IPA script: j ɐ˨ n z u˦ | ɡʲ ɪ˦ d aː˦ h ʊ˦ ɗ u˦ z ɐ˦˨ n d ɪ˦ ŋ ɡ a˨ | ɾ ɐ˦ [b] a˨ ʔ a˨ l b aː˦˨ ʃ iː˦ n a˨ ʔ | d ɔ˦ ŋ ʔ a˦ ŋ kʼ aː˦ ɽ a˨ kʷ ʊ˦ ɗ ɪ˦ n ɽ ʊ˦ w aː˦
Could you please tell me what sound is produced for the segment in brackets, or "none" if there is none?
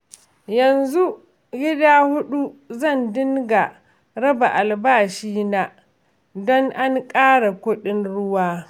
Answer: b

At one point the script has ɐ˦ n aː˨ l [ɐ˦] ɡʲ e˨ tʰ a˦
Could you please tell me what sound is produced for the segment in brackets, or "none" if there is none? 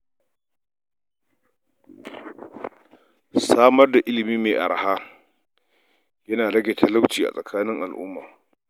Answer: ɐ˦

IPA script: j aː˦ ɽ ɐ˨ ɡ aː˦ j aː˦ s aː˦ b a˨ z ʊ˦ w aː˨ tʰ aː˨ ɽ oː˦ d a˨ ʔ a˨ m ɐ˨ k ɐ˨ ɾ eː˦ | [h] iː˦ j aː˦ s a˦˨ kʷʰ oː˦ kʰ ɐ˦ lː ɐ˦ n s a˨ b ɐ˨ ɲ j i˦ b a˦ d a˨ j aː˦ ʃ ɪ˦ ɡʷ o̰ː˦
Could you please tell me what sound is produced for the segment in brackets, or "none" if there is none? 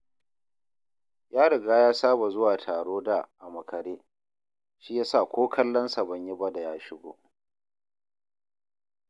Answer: ʃ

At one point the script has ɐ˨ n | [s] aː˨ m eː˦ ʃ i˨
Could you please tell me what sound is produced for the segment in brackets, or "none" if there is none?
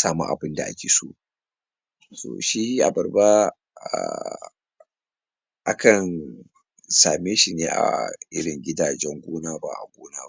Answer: s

